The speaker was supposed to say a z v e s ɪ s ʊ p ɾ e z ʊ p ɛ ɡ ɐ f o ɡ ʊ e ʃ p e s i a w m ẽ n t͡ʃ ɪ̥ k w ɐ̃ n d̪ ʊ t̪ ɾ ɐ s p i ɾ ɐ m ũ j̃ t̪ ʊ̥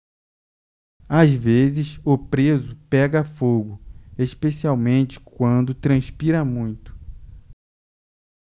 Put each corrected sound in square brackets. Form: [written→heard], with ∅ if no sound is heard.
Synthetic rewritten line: a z v e [s→z] ɪ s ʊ p ɾ e z ʊ p ɛ ɡ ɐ f o ɡ ʊ e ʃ p e s i a w m ẽ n t͡ʃ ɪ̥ k w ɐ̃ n d̪ ʊ t̪ ɾ [ɐ→ɐ̃] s p i ɾ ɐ m ũ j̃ t̪ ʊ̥